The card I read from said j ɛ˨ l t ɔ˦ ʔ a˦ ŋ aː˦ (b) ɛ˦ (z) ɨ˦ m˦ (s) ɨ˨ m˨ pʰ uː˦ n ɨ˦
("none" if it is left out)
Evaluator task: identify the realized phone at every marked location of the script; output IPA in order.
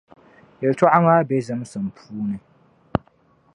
b, z, s

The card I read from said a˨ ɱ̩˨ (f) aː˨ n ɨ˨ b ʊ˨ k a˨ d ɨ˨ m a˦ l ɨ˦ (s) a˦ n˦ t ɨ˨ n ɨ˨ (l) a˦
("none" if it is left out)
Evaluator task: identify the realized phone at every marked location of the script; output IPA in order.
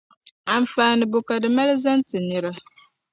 f, z, ɾ

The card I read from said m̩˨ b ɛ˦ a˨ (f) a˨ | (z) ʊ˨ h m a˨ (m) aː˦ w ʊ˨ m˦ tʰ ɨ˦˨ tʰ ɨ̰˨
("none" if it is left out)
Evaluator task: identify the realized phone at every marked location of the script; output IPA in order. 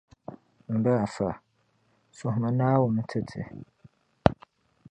f, s, n

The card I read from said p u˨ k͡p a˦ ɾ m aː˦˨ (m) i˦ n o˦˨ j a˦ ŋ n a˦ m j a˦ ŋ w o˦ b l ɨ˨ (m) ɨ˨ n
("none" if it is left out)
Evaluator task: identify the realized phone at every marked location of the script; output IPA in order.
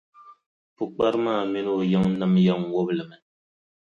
m, m

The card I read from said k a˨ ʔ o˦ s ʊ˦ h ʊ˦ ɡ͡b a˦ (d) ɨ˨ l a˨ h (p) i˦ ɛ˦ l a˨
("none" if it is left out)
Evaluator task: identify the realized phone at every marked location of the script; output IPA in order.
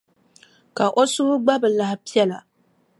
b, p

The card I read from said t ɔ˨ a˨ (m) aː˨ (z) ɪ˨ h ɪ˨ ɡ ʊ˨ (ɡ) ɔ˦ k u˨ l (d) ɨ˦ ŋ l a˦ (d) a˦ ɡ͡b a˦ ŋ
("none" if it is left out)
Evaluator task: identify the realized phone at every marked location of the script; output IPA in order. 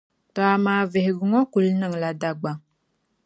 m, v, ŋ, n, d

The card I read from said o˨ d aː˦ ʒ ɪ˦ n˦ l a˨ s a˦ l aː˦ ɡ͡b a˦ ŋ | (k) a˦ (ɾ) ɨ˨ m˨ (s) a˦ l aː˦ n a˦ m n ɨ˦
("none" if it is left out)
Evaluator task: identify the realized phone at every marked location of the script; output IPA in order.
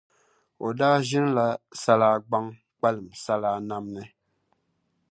k͡p, l, s

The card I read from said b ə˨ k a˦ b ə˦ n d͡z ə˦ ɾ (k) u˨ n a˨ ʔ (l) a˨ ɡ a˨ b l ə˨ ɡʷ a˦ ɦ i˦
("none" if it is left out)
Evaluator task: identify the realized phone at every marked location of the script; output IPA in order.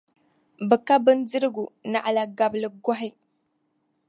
ɡ, l

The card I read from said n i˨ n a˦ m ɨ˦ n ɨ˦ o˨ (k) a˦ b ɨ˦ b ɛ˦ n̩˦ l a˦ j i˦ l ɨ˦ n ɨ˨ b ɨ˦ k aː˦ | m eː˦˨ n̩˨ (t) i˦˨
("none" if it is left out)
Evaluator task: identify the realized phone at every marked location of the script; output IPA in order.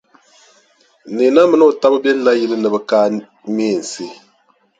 t, s

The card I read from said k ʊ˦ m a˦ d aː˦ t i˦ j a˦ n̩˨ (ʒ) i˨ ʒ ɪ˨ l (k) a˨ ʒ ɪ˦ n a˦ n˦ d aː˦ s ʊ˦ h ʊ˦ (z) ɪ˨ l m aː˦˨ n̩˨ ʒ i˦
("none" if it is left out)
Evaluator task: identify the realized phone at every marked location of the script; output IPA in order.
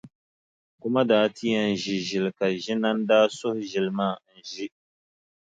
ʒ, k, ʒ

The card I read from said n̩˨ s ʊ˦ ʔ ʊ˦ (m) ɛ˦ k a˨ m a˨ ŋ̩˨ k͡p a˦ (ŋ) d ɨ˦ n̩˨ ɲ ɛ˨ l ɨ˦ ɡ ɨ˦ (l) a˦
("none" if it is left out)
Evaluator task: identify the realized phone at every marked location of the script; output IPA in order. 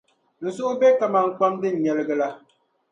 b, m, l

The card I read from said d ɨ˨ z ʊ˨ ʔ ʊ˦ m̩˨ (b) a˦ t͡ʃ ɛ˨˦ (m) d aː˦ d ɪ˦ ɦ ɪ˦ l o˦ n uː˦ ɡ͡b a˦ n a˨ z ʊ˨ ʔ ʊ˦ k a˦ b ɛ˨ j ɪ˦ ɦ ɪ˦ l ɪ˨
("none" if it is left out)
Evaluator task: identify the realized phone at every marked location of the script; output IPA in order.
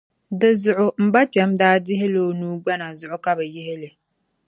b, m

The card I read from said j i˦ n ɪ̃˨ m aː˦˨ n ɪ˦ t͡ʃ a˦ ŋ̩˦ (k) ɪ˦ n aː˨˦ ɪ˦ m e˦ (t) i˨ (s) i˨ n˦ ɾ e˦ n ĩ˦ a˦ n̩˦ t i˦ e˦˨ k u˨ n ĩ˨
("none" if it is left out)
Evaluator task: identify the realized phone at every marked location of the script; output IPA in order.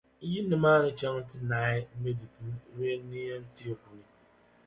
t, d, t

